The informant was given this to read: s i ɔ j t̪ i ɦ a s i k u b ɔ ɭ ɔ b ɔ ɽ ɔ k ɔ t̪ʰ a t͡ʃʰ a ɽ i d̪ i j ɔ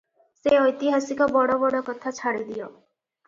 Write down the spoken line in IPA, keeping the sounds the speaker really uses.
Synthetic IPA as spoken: s e ɔ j t̪ i ɦ a s i k ɔ b ɔ ɽ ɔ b ɔ ɽ ɔ k ɔ t̪ʰ a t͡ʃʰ a ɽ i d̪ i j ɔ